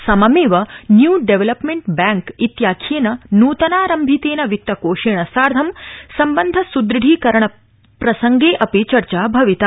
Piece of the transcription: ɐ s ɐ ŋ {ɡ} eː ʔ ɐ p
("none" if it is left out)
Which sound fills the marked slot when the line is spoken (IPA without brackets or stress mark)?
ɡ